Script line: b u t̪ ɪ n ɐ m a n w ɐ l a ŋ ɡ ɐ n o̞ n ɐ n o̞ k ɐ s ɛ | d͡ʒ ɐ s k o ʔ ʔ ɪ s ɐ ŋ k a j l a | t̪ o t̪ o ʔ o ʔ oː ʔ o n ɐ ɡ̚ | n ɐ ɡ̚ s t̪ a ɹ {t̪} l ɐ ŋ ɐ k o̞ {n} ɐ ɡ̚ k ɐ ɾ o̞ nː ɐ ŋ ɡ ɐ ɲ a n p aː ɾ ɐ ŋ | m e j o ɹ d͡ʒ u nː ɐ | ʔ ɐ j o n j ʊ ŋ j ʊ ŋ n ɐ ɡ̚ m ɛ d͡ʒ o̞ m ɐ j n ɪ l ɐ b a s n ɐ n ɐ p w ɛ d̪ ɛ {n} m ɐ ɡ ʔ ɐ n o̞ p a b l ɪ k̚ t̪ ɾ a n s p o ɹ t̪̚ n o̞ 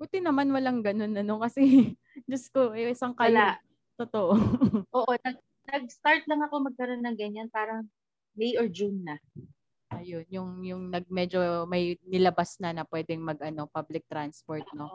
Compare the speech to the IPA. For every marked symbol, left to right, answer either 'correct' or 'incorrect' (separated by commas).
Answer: correct, incorrect, incorrect